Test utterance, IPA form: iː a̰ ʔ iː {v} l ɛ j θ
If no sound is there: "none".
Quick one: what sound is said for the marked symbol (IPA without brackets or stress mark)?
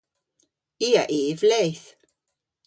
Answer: v